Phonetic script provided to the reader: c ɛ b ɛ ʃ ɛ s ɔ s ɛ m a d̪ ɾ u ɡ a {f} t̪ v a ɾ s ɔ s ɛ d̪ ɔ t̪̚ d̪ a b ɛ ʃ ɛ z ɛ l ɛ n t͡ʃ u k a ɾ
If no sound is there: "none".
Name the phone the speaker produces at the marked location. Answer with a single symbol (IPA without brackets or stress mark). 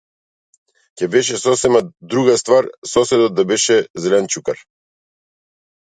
s